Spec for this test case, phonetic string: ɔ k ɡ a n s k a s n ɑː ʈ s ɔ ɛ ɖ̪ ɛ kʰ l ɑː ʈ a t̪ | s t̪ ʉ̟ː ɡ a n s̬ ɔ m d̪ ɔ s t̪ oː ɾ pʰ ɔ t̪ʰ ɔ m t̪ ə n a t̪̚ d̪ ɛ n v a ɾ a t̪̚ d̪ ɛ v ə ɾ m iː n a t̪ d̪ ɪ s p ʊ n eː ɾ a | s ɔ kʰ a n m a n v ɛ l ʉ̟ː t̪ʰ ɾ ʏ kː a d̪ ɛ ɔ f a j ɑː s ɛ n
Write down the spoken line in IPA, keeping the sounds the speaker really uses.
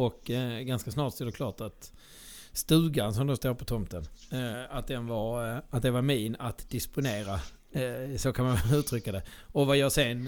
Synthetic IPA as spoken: ɔ k ɡ a n s k a s n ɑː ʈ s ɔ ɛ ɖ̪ ɛ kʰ l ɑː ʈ a t̪ | s t̪ ʉ̟ː ɡ a n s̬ ɔ m d̪ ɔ s t̪ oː ɾ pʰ ɔ t̪ʰ ɔ m t̪ ə n a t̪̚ d̪ ɛ n v a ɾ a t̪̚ d̪ ɛ v a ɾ m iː n a t̪ d̪ ɪ s p ʊ n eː ɾ a | s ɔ kʰ a n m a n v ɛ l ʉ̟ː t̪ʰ ɾ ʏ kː a d̪ ɛ ɔ v a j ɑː s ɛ n